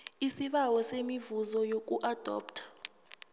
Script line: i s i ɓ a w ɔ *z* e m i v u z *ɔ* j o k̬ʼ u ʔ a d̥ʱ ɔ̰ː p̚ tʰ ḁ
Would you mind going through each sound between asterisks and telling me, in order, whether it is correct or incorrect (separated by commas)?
incorrect, correct